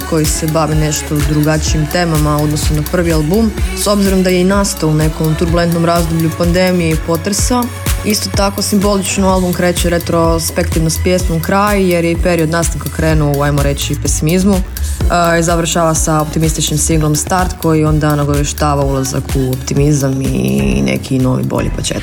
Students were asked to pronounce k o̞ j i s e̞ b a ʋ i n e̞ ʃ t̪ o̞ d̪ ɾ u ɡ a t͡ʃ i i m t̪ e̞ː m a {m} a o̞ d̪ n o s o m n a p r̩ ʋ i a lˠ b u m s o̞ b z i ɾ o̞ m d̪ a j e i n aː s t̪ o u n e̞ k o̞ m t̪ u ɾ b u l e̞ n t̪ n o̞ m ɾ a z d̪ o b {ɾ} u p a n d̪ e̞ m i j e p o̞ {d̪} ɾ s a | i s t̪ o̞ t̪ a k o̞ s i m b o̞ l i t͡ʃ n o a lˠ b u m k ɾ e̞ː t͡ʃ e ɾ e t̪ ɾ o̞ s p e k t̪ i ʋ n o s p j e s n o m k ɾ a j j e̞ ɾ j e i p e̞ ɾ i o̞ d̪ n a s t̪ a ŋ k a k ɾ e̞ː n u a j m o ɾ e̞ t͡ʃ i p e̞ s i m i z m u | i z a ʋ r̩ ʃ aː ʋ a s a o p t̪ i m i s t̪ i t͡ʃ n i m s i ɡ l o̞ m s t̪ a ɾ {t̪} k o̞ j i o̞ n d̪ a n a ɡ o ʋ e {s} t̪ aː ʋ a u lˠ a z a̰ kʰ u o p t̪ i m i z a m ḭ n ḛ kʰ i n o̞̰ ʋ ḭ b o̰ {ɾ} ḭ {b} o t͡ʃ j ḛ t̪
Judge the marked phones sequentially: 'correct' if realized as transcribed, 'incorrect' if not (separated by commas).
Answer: correct, incorrect, incorrect, correct, incorrect, incorrect, incorrect